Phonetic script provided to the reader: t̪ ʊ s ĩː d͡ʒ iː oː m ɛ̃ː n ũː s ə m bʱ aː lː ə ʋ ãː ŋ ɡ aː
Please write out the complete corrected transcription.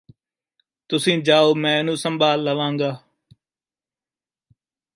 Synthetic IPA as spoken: t̪ ʊ s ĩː d͡ʒ aː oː m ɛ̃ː n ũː s ə m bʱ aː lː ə ʋ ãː ŋ ɡ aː